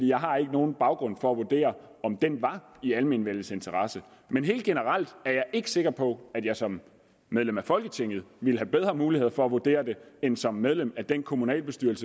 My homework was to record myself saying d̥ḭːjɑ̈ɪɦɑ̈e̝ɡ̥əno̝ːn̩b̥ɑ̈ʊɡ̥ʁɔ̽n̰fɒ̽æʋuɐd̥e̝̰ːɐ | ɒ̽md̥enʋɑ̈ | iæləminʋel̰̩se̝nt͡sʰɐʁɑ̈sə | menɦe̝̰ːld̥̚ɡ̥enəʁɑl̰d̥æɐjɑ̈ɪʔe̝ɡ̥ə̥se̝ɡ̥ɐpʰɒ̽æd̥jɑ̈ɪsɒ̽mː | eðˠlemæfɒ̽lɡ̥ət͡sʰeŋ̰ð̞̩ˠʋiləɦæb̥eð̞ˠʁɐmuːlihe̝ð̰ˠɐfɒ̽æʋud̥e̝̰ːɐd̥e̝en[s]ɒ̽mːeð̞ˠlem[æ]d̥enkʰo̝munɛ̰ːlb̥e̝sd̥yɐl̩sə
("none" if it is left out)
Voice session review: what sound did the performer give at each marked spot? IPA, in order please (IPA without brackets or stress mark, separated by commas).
s, æ